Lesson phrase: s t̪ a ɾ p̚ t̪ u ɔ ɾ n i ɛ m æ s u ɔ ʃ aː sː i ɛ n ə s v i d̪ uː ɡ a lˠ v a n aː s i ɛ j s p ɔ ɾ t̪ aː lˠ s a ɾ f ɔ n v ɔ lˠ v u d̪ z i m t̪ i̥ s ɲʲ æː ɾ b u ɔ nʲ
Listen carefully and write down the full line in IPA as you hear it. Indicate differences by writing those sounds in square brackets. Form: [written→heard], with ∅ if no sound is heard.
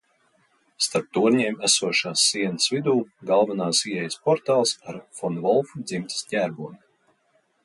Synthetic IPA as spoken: s t̪ a ɾ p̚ t̪ u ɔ ɾ [n→ɲ] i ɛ m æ s u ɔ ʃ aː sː i ɛ n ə s v i d̪ uː ɡ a lˠ v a n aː s i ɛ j s p ɔ ɾ t̪ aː lˠ s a ɾ f ɔ n v ɔ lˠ [v→f] u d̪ z i m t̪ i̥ s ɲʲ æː ɾ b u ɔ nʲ